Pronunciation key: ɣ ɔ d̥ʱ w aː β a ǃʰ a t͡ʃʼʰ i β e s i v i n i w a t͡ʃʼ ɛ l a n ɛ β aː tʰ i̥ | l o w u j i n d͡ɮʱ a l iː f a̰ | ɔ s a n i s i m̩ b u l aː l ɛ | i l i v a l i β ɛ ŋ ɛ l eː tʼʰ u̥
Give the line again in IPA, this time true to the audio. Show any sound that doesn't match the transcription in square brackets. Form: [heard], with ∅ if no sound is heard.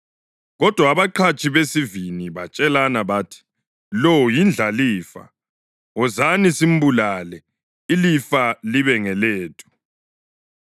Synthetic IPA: ɣ ɔ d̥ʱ w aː β a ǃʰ a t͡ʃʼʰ i β e s i v i n i [β] a t͡ʃʼ ɛ l a n [a] β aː tʰ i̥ | l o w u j i n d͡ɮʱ a l iː f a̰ | ɔ [z] a n i s i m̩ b u l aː l ɛ | i l i [f] a l i β ɛ ŋ ɛ l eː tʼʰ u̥